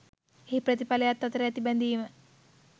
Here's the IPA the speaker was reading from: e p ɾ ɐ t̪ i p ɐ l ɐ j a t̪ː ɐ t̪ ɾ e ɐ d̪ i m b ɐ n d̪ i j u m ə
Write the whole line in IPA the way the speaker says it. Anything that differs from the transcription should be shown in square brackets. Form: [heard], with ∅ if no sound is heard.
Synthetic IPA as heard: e p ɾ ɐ t̪ i p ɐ l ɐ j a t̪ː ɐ t̪ ɾ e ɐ [t̪] i [∅] b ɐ n d̪ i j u m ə